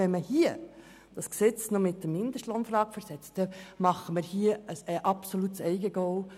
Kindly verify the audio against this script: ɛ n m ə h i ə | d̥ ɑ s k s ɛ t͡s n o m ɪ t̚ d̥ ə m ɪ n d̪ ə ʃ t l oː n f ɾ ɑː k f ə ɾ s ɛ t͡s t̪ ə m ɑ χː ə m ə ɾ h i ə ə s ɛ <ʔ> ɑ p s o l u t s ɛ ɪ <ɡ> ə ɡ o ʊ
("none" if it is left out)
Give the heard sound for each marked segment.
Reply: ʔ, ɡ

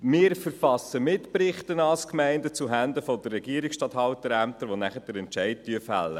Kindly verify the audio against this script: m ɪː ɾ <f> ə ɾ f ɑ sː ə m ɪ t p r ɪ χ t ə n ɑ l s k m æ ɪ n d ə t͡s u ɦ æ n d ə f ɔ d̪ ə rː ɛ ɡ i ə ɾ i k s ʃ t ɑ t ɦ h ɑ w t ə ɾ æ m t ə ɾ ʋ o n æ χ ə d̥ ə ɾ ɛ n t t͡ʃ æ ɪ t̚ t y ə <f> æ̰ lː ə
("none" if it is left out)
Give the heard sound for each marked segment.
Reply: f, f

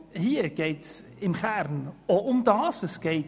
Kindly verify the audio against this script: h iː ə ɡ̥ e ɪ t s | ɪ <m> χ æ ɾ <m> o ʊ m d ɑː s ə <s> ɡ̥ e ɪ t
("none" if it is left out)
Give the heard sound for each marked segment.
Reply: m, n, s

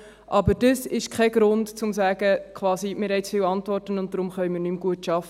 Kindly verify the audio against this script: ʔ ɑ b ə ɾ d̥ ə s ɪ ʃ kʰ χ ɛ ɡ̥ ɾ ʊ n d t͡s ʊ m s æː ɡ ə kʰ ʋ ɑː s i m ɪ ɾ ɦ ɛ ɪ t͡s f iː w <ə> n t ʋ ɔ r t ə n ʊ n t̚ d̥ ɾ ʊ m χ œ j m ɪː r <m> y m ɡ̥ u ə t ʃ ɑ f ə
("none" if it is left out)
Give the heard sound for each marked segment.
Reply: ɑ, n

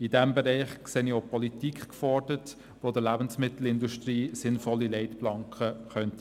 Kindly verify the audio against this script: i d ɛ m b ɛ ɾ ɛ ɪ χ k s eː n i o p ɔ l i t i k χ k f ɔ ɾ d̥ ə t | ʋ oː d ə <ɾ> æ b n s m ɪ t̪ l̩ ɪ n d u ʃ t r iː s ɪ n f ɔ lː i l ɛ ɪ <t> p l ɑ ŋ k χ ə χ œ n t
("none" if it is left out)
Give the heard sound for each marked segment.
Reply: l, t

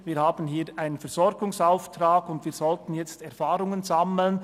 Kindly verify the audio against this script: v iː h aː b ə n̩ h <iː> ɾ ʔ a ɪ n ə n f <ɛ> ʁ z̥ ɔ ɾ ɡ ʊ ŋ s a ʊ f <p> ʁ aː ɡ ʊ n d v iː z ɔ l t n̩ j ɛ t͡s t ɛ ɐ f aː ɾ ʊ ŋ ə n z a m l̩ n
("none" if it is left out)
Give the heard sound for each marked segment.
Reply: iː, ɛ, t

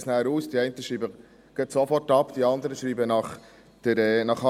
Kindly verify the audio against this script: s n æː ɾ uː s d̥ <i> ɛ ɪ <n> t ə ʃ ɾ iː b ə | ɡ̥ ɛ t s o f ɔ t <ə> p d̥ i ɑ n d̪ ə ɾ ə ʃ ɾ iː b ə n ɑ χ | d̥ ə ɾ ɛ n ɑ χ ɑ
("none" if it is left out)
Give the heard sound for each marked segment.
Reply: i, n, ɑ

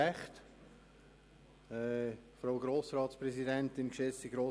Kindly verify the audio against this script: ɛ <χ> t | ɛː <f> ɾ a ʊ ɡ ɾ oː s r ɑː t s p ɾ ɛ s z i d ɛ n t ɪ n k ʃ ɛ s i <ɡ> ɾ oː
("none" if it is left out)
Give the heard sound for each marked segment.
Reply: χ, f, ɡ

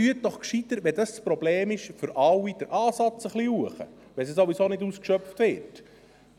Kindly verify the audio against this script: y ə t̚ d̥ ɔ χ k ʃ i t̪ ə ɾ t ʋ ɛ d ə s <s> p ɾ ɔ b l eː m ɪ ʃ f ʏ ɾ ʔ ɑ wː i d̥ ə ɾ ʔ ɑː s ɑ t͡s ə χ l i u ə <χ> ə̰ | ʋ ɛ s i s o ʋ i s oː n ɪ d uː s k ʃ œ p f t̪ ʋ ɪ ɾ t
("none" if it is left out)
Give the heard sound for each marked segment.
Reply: s, χ

